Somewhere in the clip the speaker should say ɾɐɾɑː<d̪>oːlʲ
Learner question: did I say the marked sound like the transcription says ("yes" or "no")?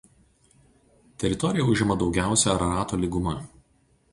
no